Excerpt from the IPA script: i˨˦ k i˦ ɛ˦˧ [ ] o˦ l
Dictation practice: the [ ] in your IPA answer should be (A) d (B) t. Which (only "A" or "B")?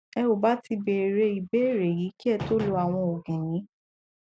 B